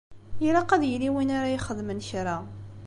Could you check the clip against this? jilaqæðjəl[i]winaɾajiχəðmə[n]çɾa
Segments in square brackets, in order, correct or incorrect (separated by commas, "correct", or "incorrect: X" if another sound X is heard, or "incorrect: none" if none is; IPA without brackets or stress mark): correct, correct